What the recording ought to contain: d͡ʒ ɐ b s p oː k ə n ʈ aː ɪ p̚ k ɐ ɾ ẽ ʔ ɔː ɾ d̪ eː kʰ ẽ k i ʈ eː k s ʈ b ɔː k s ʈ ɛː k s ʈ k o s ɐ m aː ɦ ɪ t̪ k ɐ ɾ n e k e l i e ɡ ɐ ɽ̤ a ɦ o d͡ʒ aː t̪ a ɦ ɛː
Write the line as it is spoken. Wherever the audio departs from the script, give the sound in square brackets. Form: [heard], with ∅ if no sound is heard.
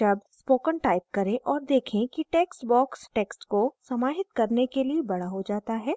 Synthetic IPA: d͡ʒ ɐ b s p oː k ə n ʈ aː ɪ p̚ k ɐ ɾ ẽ ʔ ɔː ɾ d̪ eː kʰ ẽ k i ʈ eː k s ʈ b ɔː k s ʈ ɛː k s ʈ k o s ɐ m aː ɦ ɪ t̪ k ɐ ɾ n e k e l i e [b] ɐ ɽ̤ a ɦ o d͡ʒ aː t̪ a ɦ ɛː